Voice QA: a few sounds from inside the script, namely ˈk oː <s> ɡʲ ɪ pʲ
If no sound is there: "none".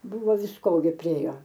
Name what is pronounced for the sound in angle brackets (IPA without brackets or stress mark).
none